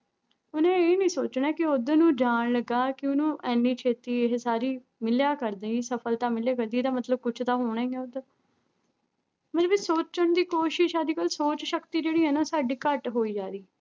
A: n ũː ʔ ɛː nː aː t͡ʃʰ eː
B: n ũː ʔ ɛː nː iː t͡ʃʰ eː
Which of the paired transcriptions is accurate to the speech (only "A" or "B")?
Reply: B